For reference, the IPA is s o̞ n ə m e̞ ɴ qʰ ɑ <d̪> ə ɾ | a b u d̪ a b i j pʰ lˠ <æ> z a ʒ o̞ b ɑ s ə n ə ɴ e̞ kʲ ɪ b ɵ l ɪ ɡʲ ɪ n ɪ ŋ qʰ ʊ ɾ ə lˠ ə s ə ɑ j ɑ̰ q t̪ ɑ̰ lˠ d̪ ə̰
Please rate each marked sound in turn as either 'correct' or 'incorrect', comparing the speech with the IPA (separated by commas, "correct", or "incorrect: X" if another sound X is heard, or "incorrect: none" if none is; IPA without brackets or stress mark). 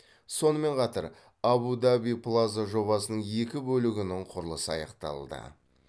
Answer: incorrect: t̪, incorrect: a